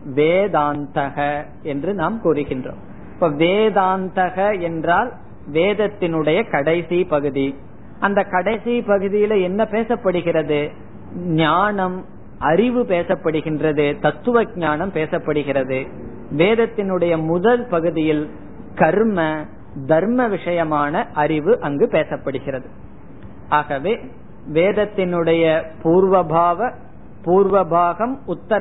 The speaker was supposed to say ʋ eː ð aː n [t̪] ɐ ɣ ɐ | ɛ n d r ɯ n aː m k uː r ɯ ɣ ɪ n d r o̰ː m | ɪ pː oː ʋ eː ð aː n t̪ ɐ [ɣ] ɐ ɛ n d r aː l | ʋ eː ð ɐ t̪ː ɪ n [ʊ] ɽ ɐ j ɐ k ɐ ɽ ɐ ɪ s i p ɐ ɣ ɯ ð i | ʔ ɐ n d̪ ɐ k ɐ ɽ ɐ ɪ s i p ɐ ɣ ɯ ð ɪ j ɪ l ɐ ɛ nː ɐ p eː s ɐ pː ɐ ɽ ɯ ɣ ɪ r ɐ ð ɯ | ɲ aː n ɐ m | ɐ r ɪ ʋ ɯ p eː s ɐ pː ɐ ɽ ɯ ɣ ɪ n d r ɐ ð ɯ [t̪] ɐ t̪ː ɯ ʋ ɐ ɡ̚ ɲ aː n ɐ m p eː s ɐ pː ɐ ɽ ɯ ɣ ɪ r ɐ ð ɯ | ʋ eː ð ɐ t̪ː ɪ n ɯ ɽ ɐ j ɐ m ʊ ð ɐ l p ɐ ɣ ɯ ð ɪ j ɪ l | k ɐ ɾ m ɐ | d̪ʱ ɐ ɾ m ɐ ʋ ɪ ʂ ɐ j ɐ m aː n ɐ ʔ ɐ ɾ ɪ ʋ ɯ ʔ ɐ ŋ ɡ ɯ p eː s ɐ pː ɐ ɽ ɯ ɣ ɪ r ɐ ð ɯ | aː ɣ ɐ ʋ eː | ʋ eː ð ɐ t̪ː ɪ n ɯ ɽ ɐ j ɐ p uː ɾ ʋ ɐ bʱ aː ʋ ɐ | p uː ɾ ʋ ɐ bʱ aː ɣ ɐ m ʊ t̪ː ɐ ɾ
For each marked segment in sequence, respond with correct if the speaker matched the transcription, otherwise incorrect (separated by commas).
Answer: correct, correct, incorrect, correct